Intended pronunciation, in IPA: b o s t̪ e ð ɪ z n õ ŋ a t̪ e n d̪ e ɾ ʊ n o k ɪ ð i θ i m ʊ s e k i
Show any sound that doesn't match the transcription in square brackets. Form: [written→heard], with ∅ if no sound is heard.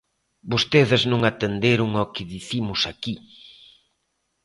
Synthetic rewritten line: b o s t̪ e ð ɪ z n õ ŋ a t̪ e n d̪ e ɾ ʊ [n→ŋ] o k ɪ ð i θ i m ʊ s [e→a] k i